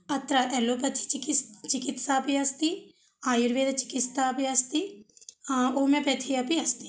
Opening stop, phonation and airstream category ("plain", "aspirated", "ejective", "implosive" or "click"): plain